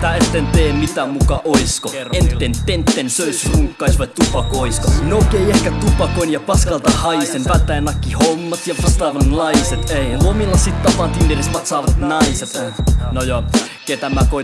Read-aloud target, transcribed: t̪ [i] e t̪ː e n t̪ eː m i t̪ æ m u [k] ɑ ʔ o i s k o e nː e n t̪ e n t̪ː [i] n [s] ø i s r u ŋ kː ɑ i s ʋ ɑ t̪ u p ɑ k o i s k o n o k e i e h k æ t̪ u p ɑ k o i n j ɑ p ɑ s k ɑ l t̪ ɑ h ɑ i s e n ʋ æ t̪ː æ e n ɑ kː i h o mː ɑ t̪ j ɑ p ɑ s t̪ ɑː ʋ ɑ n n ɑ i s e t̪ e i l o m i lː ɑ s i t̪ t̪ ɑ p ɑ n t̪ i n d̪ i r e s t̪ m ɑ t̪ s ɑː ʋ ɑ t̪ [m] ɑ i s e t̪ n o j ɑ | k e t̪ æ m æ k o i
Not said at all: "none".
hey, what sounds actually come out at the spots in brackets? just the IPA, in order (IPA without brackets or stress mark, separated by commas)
æ, k, e, s, n